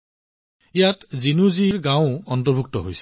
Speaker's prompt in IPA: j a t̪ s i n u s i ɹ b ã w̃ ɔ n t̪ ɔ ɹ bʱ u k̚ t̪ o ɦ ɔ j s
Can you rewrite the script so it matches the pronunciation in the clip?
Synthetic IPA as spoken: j a t̪ z i n u z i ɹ ɡ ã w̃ ɔ n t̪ ɔ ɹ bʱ u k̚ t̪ ɔ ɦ o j s